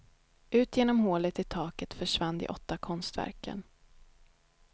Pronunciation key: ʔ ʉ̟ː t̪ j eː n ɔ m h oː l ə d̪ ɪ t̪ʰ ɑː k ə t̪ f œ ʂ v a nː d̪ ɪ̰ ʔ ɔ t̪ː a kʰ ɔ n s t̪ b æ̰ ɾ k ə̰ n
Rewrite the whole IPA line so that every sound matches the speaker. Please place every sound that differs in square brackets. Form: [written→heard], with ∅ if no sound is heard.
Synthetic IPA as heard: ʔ ʉ̟ː t̪ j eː n ɔ m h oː l ə [d̪→t̪] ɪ t̪ʰ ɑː k ə t̪ f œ ʂ v a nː d̪ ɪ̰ ʔ ɔ t̪ː a kʰ ɔ n s t̪ [b→v] æ̰ ɾ k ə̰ n